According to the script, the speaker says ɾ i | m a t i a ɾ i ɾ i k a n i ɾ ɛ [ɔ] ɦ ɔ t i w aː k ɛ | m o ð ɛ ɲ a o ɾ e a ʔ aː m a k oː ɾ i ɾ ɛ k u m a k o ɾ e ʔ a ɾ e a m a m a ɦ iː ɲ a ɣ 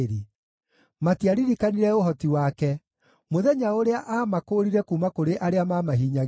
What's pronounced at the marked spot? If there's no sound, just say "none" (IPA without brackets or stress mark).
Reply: o